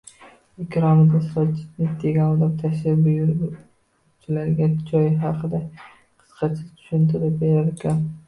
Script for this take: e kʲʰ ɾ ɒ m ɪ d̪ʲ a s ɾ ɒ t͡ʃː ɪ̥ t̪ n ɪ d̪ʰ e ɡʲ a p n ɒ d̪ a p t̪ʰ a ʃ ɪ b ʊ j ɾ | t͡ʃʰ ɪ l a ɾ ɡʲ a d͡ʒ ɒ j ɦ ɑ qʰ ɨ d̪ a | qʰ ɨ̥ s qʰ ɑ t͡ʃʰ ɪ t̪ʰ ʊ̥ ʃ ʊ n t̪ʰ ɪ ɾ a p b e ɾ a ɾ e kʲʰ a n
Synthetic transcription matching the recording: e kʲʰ ɾ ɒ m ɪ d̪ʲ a s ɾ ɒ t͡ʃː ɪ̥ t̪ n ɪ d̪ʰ e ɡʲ a n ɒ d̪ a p t̪ʰ a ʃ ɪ b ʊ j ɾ | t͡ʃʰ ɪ l a ɾ ɡʲ a d͡ʒ ɒ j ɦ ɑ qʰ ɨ d̪ a | qʰ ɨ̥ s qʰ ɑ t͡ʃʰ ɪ t̪ʰ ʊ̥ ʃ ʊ n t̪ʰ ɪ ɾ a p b e ɾ a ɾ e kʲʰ a n